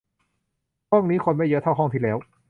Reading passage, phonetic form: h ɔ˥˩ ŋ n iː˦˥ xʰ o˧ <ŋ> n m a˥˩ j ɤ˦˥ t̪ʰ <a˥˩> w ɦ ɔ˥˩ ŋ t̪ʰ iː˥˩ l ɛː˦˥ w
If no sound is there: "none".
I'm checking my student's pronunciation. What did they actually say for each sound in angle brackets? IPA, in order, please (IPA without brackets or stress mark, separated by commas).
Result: none, a˥˩